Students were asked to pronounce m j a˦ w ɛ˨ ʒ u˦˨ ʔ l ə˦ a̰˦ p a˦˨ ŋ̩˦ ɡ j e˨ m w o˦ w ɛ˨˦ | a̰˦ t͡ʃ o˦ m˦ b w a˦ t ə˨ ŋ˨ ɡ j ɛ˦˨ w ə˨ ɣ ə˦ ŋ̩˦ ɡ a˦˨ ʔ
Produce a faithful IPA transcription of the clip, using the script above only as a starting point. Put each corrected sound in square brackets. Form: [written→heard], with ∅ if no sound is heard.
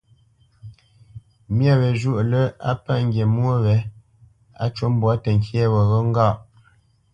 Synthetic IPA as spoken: m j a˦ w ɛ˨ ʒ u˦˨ ʔ l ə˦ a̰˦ p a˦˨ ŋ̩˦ ɡ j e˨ m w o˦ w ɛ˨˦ | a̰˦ t͡ʃ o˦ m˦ b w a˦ t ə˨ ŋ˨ [ɡ→k] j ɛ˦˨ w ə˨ ɣ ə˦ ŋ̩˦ ɡ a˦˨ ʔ